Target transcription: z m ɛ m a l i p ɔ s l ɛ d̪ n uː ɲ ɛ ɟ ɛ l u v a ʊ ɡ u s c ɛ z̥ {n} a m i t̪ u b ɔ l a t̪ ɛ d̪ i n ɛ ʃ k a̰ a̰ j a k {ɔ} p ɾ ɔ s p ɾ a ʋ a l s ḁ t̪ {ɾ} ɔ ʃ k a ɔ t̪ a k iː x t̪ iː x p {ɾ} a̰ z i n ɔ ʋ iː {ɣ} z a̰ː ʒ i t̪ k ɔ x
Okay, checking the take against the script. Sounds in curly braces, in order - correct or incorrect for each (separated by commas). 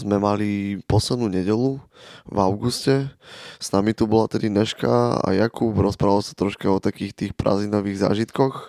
correct, incorrect, correct, correct, correct